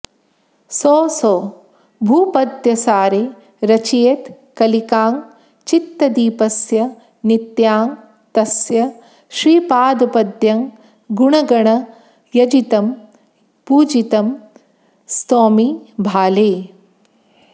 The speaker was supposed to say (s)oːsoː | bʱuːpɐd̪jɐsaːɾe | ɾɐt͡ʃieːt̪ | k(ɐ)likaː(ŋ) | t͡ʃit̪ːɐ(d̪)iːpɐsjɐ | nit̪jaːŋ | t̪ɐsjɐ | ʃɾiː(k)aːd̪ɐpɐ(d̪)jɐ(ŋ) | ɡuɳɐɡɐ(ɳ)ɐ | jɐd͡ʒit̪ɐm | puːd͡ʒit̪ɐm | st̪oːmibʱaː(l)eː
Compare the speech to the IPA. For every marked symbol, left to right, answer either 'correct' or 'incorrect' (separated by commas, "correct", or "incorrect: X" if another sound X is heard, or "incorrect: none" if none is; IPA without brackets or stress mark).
correct, correct, correct, correct, incorrect: p, correct, correct, correct, correct